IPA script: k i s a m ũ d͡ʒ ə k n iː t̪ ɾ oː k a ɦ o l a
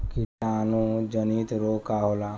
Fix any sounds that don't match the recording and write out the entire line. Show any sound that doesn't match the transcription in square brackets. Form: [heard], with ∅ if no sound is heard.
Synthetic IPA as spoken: k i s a [n] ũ d͡ʒ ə [∅] n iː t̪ ɾ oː k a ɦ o l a